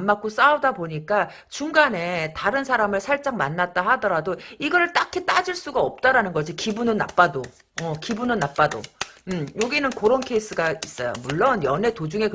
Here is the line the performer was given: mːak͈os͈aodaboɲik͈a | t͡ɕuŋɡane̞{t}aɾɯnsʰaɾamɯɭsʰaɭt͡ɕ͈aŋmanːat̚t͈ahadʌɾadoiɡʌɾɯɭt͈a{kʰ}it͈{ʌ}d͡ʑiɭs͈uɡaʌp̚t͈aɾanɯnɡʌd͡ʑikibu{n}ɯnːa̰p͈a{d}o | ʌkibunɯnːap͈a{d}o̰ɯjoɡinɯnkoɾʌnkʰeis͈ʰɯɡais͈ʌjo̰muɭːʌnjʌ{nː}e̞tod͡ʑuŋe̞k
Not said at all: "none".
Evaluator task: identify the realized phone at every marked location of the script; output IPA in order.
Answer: t, kʰ, a, n, d, d, n

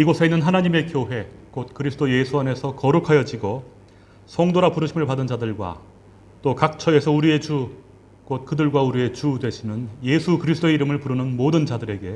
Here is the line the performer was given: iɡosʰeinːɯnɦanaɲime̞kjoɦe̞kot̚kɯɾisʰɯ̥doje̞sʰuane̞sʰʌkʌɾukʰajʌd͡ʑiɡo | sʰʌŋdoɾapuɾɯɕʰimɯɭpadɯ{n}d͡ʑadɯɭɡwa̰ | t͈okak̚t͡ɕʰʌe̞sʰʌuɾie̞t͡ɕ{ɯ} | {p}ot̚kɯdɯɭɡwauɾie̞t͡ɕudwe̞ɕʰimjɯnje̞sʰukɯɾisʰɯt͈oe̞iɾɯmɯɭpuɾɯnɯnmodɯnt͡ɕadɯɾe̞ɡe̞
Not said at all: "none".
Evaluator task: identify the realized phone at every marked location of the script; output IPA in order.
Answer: n, u, k

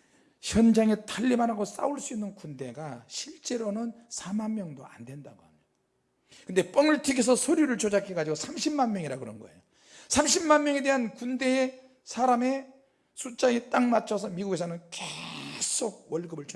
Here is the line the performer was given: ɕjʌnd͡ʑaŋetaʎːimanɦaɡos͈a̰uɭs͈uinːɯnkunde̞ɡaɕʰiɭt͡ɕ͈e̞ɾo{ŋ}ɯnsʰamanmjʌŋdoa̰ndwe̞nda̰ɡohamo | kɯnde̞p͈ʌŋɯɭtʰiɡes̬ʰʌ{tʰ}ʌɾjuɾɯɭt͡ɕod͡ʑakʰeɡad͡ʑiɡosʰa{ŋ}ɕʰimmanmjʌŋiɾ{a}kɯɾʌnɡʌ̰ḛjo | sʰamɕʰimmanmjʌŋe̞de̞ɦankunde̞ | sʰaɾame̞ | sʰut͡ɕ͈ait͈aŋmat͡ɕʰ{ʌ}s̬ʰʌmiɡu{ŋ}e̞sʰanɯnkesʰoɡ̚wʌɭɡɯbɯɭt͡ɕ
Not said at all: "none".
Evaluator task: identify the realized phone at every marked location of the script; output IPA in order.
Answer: n, sʰ, m, a, ʌ, ɡ

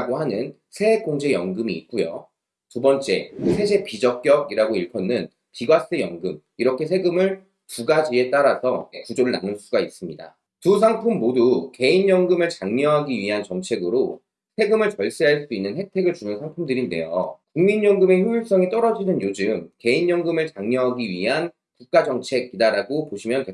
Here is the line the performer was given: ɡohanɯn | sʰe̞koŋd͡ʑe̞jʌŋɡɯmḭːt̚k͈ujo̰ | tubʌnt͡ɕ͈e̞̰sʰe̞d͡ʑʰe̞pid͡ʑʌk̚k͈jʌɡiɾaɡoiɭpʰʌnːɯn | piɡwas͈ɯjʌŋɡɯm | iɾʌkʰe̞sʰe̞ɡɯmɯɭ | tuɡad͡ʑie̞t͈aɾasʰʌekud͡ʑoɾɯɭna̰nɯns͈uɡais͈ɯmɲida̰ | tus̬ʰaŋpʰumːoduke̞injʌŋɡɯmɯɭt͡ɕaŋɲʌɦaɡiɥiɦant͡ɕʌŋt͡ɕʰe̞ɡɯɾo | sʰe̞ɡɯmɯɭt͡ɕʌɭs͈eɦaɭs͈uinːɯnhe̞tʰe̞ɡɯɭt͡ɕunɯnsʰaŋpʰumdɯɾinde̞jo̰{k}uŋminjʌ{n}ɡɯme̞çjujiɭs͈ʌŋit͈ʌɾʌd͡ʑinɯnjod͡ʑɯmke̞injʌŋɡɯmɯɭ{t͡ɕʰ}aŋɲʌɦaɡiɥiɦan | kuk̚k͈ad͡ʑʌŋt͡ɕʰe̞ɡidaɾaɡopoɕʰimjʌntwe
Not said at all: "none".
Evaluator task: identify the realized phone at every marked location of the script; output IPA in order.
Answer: k, ŋ, t͡ɕ

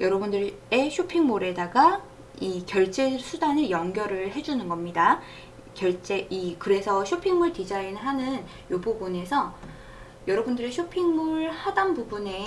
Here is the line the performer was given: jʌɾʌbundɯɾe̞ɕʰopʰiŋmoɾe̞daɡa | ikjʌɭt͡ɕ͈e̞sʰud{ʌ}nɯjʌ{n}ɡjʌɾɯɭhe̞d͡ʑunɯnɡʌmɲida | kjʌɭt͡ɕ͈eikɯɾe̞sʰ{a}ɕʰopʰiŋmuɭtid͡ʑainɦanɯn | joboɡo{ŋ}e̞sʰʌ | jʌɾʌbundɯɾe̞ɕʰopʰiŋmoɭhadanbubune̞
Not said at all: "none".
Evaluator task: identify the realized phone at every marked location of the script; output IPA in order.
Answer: a, ŋ, ʌ, n

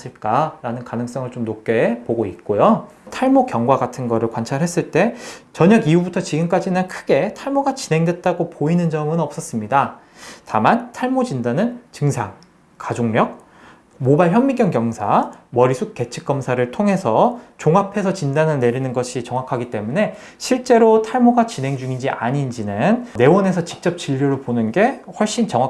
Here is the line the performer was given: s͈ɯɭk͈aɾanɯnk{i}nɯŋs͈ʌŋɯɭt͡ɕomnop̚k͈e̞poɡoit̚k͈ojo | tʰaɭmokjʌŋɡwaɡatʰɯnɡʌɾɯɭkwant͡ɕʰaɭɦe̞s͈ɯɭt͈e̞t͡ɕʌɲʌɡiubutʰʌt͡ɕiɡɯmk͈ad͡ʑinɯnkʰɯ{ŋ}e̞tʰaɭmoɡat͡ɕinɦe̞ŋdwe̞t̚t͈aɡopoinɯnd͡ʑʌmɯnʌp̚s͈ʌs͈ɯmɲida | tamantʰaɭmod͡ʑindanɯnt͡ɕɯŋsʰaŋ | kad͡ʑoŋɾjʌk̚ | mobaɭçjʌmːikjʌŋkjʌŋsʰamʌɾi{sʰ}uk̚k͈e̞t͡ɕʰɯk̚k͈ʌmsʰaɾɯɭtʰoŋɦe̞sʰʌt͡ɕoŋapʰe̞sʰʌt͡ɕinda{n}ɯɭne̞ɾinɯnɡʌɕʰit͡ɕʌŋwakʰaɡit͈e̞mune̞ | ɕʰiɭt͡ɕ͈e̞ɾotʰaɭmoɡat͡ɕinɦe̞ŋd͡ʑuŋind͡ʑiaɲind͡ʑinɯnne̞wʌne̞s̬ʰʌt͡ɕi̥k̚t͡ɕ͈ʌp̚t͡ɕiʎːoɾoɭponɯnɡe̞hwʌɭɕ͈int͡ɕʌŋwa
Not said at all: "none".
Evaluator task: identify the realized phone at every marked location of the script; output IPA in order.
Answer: a, ɡ, sʰ, n

